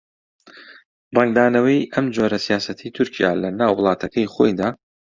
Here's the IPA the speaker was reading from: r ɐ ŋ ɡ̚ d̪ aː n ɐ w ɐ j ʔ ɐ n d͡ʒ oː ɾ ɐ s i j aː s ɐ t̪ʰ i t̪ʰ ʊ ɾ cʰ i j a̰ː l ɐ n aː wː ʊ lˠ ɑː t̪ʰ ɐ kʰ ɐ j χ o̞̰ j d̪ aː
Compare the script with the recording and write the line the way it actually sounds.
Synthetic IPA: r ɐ ŋ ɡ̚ d̪ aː n ɐ w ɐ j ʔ ɐ m d͡ʒ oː ɾ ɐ s i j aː s ɐ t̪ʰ i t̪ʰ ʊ ɾ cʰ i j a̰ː l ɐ n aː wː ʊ lˠ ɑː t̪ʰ ɐ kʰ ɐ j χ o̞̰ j d̪ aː